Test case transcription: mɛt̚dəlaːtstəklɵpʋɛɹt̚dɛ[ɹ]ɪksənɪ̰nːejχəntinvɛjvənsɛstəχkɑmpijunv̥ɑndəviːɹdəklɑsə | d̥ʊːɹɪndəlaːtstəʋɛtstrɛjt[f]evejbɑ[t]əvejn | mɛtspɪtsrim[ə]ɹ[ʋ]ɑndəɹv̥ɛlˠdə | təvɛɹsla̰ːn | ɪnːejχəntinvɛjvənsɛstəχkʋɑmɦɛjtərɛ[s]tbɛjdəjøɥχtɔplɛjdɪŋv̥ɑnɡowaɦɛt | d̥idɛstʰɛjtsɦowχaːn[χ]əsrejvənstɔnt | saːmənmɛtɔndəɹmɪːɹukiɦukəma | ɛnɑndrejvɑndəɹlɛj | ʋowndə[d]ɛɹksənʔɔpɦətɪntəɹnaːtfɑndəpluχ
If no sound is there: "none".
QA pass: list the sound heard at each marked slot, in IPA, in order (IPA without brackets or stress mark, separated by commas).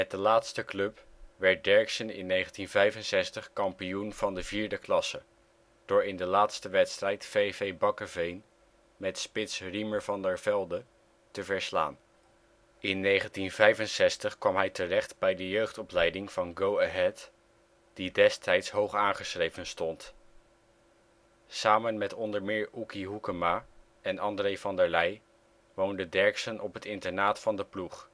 ɹ, f, k, ə, v, χ, χ, d